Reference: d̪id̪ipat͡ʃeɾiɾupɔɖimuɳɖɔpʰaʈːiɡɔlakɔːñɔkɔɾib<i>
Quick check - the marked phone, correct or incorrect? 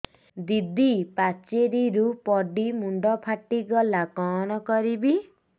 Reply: correct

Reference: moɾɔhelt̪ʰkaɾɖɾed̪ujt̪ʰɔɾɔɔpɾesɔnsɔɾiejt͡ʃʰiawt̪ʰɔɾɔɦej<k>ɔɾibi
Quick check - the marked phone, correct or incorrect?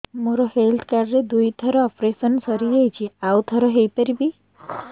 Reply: incorrect: p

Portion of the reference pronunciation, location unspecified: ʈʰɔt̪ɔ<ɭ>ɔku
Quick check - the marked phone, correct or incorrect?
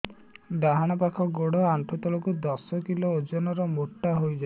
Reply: incorrect: l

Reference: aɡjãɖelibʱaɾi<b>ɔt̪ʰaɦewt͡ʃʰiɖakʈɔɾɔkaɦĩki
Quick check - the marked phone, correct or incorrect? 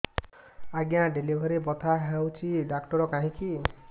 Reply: correct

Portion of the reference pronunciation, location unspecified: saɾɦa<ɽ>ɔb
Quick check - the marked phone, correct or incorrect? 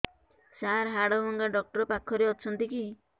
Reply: correct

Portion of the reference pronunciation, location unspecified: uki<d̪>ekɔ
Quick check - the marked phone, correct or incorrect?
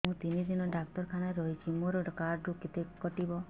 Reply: incorrect: t̪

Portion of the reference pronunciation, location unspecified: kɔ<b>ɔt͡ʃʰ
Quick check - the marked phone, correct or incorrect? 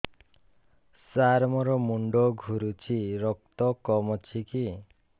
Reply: incorrect: m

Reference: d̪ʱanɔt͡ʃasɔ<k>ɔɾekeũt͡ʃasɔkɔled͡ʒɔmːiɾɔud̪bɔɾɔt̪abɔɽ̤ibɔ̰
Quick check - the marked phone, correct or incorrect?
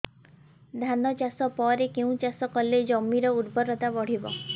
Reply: incorrect: p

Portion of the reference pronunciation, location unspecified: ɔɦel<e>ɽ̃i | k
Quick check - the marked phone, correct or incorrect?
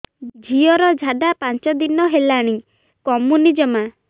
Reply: incorrect: a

